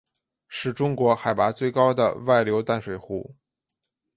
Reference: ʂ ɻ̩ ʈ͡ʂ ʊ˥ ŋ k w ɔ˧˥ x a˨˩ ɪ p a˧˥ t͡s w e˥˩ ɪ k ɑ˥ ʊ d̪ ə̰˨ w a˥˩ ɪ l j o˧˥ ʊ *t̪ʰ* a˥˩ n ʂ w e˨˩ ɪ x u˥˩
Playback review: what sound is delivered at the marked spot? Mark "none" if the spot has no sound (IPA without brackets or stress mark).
t̪